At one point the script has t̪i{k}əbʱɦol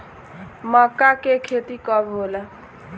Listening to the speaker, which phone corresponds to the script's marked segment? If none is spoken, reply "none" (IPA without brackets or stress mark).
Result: k